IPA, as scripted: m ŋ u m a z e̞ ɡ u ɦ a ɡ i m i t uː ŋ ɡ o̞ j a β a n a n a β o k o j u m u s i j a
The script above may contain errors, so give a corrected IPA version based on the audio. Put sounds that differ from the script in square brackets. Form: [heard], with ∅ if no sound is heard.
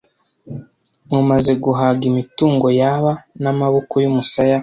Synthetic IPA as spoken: m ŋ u m a z e̞ ɡ u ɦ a ɡ i m i t uː ŋ ɡ o̞ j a β a n a [m] a β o k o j u m u s [a] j a